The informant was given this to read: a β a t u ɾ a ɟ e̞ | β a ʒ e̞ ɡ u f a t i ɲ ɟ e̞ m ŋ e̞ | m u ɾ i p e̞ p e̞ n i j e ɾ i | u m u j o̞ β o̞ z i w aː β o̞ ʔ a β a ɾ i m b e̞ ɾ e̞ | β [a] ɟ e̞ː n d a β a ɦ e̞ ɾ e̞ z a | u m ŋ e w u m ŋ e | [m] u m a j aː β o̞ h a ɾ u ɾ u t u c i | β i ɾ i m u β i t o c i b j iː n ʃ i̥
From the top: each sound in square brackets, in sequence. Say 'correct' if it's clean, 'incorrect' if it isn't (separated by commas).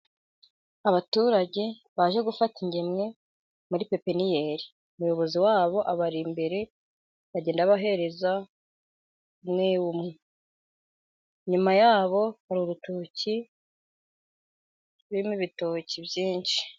correct, incorrect